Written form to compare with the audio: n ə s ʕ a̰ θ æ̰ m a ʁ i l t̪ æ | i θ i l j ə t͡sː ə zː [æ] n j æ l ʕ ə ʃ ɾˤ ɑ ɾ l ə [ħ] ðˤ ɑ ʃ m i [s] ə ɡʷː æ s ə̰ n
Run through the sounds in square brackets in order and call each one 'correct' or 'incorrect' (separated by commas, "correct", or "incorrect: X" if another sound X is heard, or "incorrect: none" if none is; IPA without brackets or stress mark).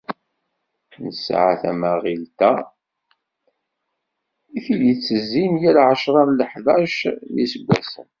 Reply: incorrect: i, correct, correct